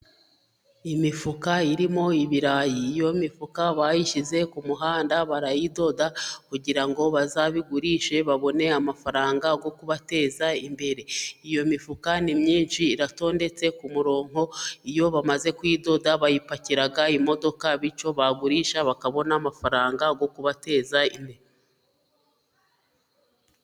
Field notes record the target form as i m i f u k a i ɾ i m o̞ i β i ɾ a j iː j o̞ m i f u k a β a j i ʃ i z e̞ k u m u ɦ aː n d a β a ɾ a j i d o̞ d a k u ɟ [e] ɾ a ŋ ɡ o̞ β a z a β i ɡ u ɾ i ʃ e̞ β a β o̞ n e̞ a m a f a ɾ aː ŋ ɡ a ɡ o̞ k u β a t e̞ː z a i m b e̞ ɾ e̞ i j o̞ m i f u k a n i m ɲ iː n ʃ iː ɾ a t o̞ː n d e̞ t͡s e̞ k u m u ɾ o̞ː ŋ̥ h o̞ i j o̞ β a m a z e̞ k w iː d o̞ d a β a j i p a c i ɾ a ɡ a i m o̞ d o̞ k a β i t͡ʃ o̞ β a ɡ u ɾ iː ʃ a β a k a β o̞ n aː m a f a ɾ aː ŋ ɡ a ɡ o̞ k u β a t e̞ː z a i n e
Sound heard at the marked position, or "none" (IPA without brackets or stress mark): i